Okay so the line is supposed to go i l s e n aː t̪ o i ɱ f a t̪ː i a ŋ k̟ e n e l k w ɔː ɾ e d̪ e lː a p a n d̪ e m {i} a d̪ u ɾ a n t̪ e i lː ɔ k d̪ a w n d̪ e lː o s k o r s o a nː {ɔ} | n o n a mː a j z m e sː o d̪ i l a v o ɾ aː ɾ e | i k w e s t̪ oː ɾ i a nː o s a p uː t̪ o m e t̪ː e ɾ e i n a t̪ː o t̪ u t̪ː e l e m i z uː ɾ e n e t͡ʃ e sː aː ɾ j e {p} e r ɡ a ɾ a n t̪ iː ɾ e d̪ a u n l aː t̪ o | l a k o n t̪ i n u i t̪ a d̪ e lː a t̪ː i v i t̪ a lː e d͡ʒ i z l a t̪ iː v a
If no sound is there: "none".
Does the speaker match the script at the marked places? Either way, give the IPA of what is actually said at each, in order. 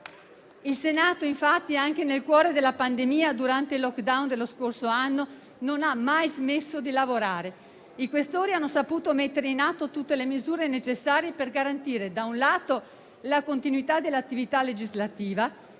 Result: iː, o, p

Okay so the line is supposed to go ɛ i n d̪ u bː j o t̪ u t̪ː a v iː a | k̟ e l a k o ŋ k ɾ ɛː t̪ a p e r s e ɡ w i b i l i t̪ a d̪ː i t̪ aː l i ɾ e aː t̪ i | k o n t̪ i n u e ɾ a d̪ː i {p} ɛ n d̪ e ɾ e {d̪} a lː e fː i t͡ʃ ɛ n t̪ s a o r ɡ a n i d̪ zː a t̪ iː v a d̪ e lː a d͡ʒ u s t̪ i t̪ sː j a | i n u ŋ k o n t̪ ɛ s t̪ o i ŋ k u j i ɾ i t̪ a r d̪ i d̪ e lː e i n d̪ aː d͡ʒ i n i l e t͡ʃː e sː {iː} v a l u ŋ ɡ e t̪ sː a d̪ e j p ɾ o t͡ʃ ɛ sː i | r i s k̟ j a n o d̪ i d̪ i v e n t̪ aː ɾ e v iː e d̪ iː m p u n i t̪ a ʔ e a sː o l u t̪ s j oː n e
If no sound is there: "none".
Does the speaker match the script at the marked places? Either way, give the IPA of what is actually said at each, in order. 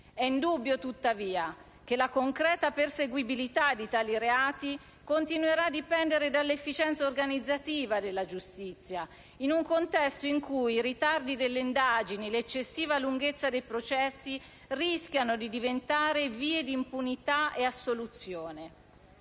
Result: p, d̪, iː

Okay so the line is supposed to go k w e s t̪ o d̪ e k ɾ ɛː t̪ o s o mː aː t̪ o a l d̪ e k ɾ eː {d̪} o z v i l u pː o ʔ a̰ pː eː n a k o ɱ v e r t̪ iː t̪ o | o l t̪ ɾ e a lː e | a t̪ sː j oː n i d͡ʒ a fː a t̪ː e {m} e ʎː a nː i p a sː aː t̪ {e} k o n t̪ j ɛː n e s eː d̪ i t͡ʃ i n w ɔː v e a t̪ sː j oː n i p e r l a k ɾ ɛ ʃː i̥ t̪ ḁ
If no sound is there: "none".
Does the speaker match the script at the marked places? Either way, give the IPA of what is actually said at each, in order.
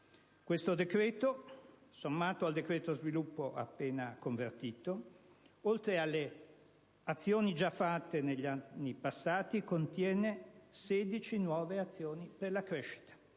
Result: t̪, n, i

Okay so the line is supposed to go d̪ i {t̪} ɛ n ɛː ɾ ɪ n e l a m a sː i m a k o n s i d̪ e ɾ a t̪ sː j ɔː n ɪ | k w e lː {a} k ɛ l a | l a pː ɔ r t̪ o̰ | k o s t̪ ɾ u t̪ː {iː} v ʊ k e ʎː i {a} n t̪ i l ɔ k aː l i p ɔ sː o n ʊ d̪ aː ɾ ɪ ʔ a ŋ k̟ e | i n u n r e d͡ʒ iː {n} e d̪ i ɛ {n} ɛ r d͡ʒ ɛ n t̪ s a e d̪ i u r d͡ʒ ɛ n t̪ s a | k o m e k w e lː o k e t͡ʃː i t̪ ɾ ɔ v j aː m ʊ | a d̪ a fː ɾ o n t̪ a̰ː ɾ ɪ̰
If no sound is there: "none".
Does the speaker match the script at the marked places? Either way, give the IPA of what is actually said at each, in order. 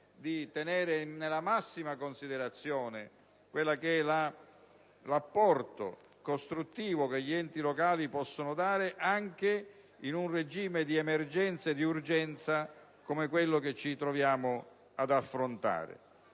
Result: t̪, a, iː, ɛ, m, m

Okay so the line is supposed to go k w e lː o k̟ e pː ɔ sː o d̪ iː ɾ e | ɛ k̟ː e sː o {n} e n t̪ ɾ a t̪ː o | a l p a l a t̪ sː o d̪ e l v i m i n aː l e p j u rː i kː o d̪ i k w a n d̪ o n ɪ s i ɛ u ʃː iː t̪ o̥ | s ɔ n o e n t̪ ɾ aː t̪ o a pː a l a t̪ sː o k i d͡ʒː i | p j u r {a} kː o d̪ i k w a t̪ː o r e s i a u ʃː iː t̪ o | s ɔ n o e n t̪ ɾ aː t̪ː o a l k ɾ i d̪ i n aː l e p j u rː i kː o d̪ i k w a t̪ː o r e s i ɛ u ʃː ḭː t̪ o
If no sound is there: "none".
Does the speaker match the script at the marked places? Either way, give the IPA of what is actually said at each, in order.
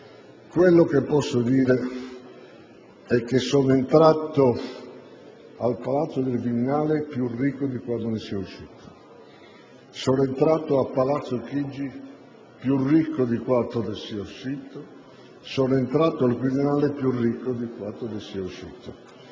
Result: n, i

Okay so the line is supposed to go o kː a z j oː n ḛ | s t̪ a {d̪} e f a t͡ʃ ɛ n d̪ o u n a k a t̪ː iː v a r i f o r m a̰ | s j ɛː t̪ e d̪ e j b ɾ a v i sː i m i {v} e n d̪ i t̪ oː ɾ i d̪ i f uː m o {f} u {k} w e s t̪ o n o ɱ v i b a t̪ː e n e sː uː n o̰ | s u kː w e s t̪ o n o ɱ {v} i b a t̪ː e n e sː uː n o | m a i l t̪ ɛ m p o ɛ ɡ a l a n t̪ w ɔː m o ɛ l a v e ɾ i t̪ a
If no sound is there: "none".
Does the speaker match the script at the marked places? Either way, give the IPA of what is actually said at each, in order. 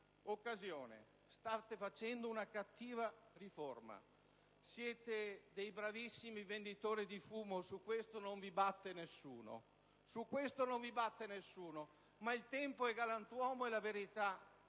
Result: t̪, v, s, k, v

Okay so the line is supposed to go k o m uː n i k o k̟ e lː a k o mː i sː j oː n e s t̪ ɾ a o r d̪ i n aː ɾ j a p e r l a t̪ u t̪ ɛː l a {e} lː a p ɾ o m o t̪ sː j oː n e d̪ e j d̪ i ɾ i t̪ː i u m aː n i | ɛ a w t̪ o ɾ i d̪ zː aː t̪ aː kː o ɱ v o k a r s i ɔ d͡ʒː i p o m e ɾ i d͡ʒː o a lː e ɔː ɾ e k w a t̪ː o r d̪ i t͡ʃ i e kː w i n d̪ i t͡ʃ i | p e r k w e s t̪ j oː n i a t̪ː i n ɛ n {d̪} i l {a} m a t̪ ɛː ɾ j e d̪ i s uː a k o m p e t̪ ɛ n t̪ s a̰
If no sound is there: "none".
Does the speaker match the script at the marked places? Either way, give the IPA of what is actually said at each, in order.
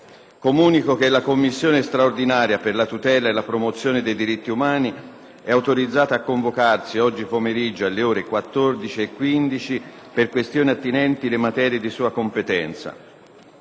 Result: e, t̪, e

